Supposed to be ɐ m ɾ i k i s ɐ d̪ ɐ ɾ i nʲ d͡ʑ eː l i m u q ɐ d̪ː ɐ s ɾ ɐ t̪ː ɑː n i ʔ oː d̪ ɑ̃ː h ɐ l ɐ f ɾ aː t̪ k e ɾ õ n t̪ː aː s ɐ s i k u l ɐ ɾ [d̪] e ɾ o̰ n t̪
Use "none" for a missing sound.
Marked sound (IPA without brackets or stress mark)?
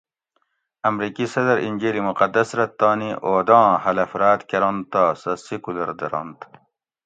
d̪